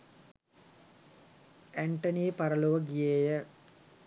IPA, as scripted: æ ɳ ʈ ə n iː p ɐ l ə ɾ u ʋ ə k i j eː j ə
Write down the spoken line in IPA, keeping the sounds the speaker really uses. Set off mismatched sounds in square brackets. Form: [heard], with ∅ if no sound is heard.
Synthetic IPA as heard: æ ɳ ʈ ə n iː p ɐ [ɾ] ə [l] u ʋ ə [ɡ] i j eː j ə